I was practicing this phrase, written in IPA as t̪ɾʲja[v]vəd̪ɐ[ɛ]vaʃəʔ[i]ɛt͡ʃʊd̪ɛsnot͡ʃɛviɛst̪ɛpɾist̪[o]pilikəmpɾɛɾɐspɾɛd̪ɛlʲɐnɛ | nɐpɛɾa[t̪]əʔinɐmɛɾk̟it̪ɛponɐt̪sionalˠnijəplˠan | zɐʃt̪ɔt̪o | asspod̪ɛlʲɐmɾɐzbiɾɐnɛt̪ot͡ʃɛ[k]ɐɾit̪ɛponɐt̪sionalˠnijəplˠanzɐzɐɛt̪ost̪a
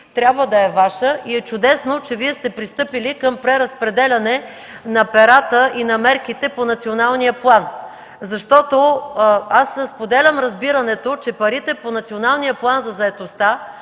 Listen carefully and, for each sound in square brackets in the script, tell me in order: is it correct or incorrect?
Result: incorrect: b, correct, correct, incorrect: ɤ, correct, incorrect: p

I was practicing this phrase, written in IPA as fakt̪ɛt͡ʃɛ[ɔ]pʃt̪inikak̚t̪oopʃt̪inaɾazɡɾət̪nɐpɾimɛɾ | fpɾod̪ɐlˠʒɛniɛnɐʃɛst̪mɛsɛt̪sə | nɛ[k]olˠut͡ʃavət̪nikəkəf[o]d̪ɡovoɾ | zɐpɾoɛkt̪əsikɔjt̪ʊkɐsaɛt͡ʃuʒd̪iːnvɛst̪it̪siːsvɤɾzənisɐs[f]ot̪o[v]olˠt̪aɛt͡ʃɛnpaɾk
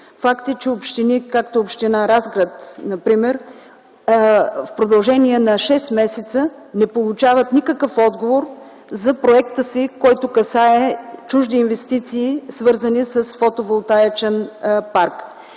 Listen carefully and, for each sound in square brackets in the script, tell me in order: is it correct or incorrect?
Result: incorrect: o, incorrect: p, incorrect: ɔ, correct, correct

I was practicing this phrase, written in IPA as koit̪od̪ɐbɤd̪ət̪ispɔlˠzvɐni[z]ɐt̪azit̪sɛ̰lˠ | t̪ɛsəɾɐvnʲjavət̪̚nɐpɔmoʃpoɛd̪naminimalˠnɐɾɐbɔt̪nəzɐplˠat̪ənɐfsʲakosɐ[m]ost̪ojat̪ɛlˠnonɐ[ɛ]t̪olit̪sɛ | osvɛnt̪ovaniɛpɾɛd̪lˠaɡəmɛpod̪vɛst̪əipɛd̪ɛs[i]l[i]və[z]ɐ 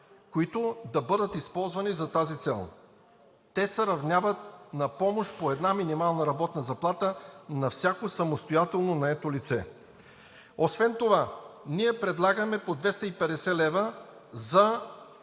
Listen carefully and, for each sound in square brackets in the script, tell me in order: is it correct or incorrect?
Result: correct, correct, correct, incorrect: ɛ, incorrect: ɛ, correct

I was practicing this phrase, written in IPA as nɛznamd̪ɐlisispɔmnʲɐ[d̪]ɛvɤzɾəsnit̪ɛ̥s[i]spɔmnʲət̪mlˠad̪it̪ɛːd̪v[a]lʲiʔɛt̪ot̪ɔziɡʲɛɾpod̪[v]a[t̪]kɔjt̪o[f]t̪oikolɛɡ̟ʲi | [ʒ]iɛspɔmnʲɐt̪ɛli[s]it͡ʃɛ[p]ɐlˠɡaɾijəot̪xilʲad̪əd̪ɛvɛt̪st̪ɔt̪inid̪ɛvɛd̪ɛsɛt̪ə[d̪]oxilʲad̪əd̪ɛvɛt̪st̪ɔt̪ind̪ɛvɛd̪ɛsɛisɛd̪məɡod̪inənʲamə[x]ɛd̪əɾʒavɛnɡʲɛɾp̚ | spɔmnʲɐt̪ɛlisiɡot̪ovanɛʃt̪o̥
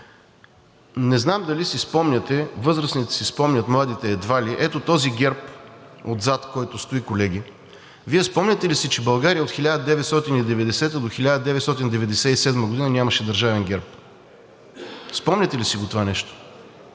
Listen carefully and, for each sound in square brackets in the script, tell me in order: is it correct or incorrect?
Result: incorrect: t̪, correct, correct, incorrect: z, correct, incorrect: s, incorrect: v, correct, incorrect: b, correct, incorrect: ʃ

